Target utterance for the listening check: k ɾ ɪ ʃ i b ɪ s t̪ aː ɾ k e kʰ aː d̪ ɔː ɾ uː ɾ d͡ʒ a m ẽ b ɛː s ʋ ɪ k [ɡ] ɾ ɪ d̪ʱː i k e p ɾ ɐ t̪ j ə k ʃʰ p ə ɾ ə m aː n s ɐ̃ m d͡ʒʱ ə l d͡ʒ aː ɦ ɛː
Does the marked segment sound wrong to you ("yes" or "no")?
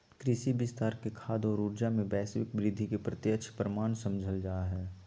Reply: yes